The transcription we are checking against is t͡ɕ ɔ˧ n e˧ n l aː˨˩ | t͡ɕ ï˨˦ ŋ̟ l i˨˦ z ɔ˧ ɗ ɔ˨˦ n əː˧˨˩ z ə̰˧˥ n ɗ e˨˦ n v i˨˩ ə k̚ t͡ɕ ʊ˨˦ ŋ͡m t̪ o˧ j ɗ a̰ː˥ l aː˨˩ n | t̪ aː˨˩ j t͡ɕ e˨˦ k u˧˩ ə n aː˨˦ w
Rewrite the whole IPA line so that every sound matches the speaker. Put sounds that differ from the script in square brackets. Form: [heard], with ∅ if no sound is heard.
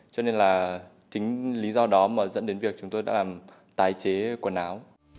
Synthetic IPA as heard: t͡ɕ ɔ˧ n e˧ n l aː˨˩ | t͡ɕ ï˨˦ ŋ̟ l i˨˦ z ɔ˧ ɗ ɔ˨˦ [m] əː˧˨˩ z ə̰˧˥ n ɗ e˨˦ n v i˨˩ ə k̚ t͡ɕ ʊ˨˦ ŋ͡m t̪ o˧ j ɗ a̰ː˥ l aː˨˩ [m] | t̪ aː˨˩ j t͡ɕ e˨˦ k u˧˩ ə n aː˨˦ w